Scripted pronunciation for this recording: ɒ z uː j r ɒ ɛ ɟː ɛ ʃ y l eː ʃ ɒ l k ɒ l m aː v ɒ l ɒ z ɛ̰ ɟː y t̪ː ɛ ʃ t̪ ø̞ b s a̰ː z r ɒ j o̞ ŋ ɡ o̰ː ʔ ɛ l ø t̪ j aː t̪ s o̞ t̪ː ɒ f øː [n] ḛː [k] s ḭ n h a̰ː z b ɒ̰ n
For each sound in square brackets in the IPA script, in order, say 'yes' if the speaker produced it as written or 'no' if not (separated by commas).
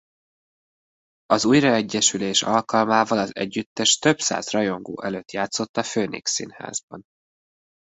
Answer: yes, yes